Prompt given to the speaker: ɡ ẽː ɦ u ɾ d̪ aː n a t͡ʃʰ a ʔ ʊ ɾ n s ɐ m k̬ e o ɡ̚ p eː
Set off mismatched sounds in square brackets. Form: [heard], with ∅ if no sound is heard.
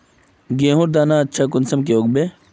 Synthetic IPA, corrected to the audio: ɡ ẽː ɦ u ɾ d̪ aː n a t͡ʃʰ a [k] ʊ [∅] n s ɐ m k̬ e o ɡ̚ [b] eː